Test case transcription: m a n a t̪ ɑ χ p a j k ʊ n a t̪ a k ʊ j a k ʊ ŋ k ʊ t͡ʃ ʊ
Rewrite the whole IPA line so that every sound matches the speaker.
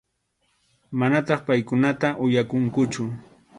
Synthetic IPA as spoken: m a n a t̪ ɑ χ p a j k ʊ n a t̪ a ʔ ʊ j a k ʊ ŋ k ʊ t͡ʃ ʊ